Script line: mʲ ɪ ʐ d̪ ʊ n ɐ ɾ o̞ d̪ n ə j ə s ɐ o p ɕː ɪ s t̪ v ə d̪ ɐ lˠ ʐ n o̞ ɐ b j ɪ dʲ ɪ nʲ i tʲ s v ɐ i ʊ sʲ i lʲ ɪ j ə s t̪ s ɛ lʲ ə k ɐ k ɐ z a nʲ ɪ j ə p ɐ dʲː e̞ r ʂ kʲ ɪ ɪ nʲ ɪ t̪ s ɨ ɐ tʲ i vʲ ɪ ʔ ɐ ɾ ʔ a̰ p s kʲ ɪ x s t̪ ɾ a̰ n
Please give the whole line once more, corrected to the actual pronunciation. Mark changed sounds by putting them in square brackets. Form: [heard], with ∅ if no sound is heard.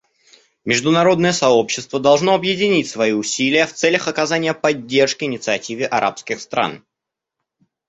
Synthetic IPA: mʲ ɪ ʐ d̪ ʊ n ɐ ɾ o̞ d̪ n ə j ə s ɐ o p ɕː ɪ s t̪ v ə d̪ ɐ lˠ ʐ n o̞ ɐ b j ɪ dʲ ɪ nʲ i tʲ s v ɐ i ʊ sʲ i lʲ ɪ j ə [f] t̪ s ɛ lʲ ə [x] ɐ k ɐ z a nʲ ɪ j ə p ɐ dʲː e̞ r ʂ kʲ ɪ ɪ nʲ ɪ t̪ s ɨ ɐ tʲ i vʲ ɪ ʔ ɐ ɾ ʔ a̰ p s kʲ ɪ x s t̪ ɾ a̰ n